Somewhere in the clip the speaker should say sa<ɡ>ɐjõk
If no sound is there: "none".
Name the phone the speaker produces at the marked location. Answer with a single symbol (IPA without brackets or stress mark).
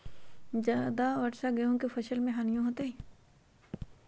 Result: ɡ